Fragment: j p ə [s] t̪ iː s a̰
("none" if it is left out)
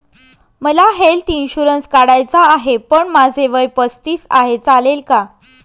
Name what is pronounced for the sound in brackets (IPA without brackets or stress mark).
s